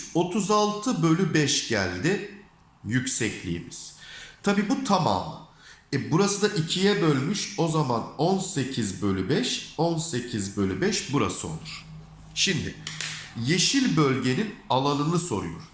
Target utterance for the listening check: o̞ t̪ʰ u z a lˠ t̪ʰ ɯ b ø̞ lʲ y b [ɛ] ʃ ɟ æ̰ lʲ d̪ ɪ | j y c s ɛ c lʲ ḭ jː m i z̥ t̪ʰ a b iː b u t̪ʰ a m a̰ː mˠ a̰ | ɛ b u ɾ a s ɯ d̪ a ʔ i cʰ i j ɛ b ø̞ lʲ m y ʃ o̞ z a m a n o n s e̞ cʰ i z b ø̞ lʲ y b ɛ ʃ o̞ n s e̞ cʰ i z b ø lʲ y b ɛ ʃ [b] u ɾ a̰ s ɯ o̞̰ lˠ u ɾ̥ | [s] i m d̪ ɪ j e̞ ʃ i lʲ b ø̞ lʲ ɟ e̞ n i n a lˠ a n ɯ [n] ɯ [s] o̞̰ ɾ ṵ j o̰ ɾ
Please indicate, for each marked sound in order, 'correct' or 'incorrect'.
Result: correct, correct, incorrect, correct, correct

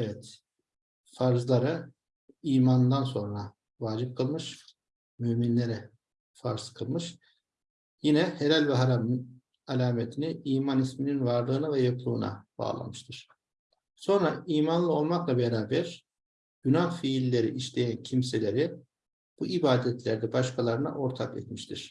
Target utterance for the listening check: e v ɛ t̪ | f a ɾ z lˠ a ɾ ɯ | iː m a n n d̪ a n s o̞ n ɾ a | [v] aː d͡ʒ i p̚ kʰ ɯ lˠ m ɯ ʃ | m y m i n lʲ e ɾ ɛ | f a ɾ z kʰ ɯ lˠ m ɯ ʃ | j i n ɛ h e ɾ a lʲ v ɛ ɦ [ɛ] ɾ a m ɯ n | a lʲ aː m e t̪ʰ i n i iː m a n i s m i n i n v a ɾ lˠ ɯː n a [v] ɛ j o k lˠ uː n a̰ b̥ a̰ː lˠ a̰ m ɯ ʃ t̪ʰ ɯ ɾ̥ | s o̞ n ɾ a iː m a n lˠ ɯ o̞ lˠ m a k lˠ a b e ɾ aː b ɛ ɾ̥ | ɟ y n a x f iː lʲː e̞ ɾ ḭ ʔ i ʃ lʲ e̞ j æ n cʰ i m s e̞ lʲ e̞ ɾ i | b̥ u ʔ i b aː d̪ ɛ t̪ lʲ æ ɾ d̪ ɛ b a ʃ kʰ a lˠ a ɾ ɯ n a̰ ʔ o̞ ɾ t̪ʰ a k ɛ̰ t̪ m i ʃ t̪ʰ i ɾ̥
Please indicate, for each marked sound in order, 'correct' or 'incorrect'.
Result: correct, incorrect, correct

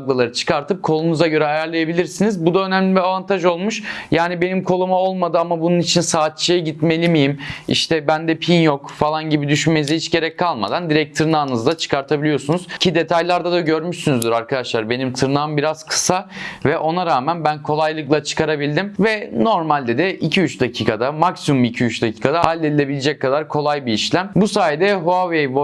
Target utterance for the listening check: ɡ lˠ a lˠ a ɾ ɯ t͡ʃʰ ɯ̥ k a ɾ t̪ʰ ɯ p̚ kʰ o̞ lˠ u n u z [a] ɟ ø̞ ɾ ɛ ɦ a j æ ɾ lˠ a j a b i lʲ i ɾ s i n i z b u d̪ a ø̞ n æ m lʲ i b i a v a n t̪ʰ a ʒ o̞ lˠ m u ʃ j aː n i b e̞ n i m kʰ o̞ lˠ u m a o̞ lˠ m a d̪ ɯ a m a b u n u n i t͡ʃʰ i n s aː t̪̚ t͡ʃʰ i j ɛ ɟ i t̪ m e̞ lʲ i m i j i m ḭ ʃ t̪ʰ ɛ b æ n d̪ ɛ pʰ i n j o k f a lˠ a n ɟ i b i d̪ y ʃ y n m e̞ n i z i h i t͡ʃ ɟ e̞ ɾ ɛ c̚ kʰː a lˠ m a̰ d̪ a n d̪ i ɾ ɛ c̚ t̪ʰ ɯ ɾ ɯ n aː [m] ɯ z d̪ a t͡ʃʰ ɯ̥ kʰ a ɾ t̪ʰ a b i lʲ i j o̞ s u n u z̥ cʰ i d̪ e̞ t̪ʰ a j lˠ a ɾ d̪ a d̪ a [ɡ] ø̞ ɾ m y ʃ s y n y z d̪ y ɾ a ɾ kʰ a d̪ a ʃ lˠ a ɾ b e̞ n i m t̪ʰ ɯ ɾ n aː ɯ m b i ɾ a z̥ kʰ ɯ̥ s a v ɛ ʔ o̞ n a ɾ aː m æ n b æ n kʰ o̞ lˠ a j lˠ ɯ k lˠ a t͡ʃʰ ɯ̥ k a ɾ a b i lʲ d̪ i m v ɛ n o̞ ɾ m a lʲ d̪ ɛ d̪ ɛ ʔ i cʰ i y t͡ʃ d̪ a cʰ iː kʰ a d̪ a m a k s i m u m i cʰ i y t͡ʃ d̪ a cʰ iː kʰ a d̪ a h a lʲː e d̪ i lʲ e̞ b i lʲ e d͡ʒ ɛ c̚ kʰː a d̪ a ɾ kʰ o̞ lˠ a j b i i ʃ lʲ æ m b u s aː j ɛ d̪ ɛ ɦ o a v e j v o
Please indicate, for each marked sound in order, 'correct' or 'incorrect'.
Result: correct, incorrect, incorrect

